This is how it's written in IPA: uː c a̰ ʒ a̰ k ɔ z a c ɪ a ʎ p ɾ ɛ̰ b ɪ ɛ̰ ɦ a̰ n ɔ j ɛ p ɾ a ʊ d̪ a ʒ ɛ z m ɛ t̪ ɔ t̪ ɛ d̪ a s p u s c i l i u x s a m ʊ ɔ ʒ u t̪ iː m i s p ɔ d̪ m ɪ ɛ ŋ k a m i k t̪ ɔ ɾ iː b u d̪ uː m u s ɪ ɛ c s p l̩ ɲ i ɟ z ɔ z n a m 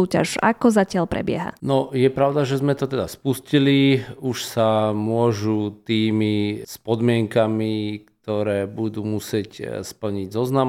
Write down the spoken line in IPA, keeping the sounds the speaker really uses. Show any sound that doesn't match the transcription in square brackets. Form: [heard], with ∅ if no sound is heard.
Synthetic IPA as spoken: uː c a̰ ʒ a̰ k ɔ z a c ɪ a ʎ p ɾ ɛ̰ b ɪ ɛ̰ ɦ a̰ n ɔ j ɛ p ɾ a ʊ d̪ a ʒ ɛ z m ɛ t̪ ɔ t̪ ɛ d̪ a s p u s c i l i u [ʃ] s a m ʊ ɔ ʒ u t̪ iː m i s p ɔ d̪ m ɪ ɛ ŋ k a m i k t̪ ɔ ɾ [ɛː] b u d̪ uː m u s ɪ ɛ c s p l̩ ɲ i ɟ z ɔ z n a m